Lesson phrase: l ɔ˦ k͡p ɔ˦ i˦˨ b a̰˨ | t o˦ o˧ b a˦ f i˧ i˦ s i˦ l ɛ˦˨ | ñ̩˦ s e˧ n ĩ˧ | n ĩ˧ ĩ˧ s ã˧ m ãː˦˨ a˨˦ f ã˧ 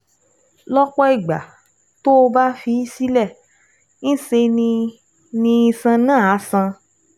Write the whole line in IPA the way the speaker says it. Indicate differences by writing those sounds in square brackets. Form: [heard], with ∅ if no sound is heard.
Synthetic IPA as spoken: l ɔ˦ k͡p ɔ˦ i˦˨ [ɡ͡b] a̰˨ | t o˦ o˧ b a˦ f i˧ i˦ s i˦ l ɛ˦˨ | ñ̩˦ s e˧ n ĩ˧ | n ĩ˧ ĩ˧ s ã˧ [n] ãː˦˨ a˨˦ [s] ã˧

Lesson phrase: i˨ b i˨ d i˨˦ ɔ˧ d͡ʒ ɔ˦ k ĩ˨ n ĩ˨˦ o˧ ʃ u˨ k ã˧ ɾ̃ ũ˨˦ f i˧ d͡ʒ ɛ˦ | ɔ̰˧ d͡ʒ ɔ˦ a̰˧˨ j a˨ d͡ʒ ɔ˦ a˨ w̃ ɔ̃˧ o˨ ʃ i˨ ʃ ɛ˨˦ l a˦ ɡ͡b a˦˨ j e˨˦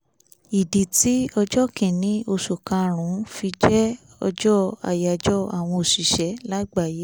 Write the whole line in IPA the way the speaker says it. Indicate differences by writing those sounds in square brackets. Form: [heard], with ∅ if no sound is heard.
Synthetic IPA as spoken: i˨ [d] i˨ [t] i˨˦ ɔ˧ d͡ʒ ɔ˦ k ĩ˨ n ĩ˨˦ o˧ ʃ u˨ k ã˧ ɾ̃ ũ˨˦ f i˧ d͡ʒ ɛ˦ | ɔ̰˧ d͡ʒ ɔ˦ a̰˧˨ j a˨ d͡ʒ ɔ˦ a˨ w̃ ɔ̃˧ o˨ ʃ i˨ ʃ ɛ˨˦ l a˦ ɡ͡b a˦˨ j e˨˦

